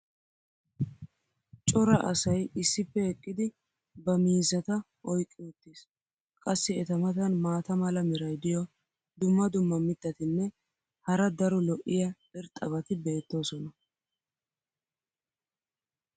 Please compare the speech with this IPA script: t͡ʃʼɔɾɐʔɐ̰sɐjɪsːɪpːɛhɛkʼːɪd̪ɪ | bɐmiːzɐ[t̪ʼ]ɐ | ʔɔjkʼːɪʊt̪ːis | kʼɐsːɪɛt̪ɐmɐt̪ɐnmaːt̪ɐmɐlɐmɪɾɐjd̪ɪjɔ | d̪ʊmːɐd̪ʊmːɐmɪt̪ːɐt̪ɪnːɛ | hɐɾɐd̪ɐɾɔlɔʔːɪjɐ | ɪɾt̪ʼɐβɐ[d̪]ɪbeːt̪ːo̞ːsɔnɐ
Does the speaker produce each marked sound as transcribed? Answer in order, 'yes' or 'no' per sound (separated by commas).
no, no